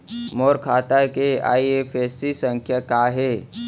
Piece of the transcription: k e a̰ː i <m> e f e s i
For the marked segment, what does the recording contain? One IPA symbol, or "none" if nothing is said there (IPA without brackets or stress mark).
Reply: none